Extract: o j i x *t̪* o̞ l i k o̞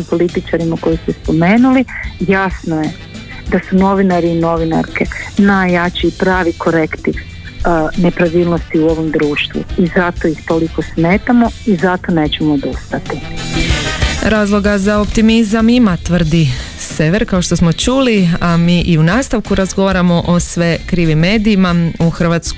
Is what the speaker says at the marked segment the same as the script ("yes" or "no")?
yes